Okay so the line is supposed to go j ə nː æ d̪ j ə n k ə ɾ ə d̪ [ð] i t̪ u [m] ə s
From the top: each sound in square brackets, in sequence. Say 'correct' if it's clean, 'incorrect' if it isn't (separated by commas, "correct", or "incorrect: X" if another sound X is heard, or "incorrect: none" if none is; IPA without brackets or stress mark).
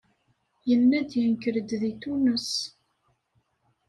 correct, incorrect: n